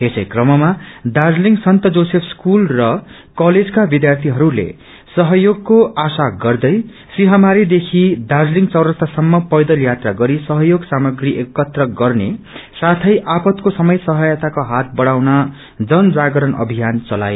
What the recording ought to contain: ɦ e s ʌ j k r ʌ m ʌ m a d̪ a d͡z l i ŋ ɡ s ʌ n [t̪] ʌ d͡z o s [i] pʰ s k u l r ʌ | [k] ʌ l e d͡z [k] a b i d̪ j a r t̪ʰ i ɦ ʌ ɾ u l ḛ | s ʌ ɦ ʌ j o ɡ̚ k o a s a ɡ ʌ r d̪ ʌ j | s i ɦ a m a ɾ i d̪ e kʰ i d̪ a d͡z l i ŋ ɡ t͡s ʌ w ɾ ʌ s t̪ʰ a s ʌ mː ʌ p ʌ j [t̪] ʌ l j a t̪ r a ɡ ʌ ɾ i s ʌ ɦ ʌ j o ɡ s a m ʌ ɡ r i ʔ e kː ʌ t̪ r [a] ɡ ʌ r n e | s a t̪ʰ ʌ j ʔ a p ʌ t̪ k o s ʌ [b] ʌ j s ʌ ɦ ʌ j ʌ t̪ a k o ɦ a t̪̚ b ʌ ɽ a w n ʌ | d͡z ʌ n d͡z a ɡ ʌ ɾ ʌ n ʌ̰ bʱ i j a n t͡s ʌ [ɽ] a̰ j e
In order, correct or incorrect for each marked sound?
correct, incorrect, correct, correct, incorrect, incorrect, incorrect, incorrect

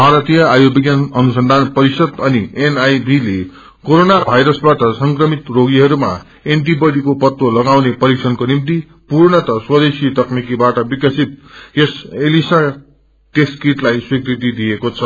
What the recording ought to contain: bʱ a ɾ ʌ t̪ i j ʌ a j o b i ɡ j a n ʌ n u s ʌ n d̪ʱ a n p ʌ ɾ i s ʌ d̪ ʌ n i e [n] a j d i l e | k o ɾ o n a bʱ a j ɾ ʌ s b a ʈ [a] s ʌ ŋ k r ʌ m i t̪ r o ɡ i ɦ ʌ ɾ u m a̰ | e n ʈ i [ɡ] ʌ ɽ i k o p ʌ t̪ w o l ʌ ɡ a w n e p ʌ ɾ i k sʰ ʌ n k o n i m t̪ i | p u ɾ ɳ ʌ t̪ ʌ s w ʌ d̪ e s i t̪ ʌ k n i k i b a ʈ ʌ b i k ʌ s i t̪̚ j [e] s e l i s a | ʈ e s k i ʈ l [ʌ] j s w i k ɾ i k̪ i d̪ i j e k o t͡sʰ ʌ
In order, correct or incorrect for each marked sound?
correct, incorrect, incorrect, correct, incorrect

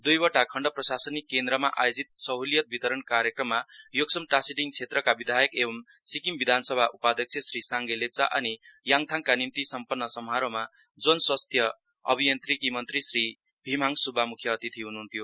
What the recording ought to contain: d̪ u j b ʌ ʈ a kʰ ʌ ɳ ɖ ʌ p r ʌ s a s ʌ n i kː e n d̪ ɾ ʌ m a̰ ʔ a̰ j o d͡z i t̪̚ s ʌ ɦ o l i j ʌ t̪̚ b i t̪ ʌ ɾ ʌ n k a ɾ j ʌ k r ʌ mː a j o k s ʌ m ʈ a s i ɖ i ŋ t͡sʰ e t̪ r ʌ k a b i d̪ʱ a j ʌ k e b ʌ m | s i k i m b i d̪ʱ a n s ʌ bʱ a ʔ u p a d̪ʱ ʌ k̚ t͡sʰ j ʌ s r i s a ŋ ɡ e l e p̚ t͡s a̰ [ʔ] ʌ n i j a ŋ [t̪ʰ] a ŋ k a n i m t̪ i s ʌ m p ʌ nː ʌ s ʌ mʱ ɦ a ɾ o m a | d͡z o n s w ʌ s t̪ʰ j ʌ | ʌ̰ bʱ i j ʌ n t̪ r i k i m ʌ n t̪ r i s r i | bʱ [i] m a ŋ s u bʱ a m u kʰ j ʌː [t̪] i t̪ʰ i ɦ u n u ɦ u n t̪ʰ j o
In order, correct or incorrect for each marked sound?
correct, correct, correct, correct

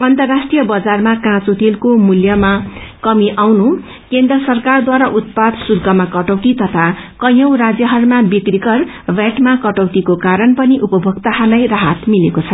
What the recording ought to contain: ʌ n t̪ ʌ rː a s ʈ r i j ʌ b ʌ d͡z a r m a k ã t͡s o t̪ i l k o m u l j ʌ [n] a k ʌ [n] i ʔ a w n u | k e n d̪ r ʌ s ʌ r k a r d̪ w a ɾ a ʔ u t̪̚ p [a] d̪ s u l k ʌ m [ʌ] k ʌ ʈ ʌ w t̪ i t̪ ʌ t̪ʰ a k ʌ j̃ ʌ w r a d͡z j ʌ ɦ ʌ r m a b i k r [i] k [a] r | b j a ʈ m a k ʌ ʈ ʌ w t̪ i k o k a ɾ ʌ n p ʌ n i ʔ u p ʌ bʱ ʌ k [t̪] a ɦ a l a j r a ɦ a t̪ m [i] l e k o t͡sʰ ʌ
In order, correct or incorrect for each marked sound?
incorrect, incorrect, correct, incorrect, correct, incorrect, correct, correct

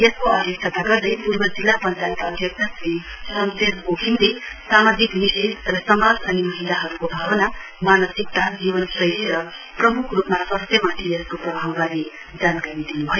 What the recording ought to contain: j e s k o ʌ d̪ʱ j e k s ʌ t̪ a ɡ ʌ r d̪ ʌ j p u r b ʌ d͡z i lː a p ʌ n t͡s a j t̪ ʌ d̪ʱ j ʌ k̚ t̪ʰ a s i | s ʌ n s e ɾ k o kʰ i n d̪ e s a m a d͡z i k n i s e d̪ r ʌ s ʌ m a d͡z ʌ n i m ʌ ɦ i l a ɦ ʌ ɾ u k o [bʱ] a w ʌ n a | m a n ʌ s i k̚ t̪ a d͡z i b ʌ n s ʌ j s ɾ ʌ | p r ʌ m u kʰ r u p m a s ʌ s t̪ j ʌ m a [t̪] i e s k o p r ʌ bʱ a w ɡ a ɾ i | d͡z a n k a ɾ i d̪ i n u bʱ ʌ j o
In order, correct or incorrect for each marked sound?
correct, incorrect

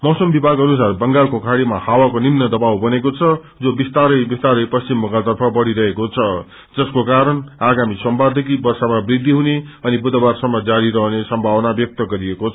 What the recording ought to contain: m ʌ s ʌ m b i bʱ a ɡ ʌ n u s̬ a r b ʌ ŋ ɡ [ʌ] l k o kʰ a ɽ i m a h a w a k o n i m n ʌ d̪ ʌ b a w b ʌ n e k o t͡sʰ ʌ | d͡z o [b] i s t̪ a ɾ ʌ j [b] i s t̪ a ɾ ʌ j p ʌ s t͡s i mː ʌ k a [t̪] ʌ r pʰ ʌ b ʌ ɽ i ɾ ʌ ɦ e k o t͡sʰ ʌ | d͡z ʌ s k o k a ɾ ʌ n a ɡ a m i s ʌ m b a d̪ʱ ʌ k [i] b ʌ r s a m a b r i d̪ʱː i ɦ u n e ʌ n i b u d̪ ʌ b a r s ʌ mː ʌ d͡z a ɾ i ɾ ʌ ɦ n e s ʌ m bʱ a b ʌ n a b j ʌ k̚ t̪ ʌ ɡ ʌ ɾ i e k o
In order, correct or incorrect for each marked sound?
incorrect, correct, correct, correct, correct

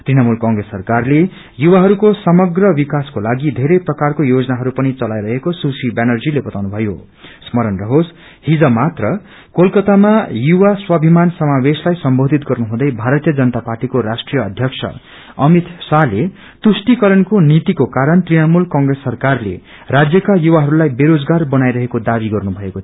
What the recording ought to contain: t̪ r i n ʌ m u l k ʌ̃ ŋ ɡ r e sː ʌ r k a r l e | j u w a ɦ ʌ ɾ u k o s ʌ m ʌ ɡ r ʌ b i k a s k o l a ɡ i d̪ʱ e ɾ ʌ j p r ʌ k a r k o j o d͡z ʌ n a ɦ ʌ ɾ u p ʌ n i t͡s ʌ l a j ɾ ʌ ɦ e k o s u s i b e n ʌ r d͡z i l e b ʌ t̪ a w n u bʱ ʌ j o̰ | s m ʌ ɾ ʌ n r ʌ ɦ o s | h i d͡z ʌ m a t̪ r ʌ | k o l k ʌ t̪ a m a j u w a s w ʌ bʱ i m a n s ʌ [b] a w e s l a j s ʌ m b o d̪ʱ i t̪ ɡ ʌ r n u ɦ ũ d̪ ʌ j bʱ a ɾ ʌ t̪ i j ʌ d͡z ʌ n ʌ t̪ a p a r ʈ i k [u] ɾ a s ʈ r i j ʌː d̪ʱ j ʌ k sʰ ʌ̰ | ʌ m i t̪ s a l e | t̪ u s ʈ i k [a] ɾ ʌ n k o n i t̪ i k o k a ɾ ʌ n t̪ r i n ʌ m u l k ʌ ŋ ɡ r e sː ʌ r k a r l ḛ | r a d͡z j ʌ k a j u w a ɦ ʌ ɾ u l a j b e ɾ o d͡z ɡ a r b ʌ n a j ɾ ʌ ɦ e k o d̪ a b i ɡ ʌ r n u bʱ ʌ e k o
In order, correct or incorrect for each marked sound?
incorrect, incorrect, incorrect

